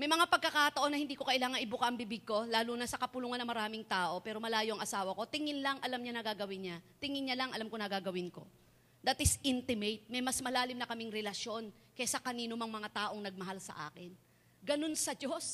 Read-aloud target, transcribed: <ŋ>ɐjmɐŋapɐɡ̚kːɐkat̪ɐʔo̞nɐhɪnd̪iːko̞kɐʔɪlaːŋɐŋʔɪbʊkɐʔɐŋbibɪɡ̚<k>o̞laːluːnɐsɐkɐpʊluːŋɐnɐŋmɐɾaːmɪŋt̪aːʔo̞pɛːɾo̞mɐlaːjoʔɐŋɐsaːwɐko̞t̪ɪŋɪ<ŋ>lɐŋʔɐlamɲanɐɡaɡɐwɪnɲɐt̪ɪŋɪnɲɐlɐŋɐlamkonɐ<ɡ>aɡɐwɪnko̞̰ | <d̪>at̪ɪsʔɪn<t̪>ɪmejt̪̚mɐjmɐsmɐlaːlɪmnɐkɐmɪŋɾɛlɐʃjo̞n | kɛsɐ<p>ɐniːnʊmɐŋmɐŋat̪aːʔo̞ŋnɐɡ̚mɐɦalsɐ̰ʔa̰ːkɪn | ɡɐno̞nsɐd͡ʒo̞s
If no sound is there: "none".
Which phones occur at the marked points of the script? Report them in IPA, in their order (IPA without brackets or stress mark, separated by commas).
m, k, n, ɡ, d̪, t̪, k